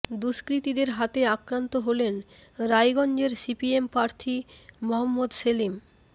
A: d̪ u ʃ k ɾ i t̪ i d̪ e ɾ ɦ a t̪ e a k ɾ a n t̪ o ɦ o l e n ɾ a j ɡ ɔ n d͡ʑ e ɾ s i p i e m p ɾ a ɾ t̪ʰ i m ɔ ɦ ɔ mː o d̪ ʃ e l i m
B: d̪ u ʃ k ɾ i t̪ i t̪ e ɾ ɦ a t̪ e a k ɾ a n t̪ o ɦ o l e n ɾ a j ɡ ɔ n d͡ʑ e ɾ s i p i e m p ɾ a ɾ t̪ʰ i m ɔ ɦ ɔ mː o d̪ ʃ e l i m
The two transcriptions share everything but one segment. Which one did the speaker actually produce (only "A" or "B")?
A